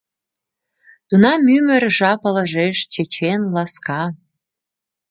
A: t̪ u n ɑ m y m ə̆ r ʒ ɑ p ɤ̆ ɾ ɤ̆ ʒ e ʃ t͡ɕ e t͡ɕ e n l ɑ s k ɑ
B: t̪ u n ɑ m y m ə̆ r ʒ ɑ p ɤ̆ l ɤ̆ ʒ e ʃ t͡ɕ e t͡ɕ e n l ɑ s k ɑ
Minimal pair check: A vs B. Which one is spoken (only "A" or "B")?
B